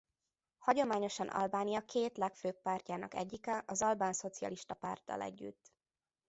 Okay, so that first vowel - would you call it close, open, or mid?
open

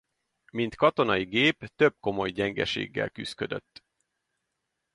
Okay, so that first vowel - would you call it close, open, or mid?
close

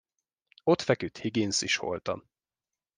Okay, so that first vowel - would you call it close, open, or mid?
mid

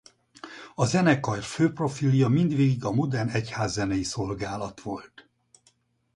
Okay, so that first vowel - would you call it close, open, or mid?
open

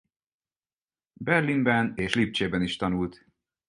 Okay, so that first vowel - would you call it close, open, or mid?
mid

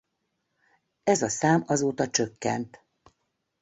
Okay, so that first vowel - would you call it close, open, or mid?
mid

